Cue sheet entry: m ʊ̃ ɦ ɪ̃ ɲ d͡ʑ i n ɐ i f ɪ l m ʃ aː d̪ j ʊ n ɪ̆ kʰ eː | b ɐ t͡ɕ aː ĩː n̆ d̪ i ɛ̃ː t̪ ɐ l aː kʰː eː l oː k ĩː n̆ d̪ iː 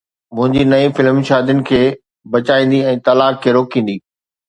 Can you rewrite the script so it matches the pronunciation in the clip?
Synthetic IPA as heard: m ʊ̃ ɦ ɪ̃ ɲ d͡ʑ i n ɐ i f ɪ l m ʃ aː d̪ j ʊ n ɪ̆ kʰ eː | b ɐ t͡ɕ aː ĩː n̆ d̪ i ɛ̃ː t̪ ɐ l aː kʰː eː ɾ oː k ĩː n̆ d̪ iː